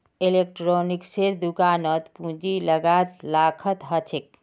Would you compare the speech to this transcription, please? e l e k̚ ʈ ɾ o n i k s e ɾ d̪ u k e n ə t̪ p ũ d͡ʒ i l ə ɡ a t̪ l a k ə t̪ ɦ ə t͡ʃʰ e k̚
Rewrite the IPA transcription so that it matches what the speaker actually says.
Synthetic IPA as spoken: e l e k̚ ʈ ɾ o n i k s e ɾ d̪ u k a n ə t̪ p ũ d͡ʒ i l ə ɡ a t̪ l a kʰ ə t̪ ɦ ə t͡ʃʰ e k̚